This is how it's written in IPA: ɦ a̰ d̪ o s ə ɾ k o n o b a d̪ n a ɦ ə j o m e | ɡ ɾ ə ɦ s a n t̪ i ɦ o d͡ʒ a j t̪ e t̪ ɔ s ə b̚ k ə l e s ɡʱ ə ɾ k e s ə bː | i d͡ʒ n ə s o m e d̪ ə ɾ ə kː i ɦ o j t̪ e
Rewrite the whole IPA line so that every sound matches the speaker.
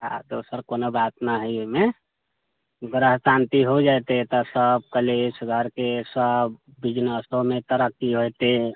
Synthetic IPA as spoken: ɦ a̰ d̪ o s ə ɾ k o n o b a t̪ n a ɦ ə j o m e | ɡ ɾ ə ɦ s a n t̪ i ɦ o d͡ʒ a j t̪ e t̪ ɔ s ə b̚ k ə l e s ɡʱ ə ɾ k e s ə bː | i d͡ʒ n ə s o m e t̪ ə ɾ ə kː i ɦ o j t̪ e